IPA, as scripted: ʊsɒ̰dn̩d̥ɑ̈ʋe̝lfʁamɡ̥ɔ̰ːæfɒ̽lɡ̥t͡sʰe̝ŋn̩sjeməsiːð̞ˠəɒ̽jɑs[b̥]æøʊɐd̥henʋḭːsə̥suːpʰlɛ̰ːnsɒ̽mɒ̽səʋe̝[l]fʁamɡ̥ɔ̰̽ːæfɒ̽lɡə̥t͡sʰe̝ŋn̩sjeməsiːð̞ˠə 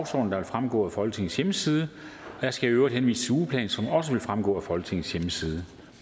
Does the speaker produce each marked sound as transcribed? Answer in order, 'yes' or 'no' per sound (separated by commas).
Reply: no, yes